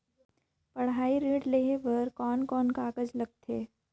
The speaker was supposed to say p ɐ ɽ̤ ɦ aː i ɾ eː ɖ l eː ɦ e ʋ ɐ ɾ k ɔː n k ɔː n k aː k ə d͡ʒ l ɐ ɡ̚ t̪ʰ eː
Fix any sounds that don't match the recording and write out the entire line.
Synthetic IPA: p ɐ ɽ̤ ɦ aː i ɾ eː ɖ l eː ɦ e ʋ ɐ ɾ k ɔː n k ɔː n k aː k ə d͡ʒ l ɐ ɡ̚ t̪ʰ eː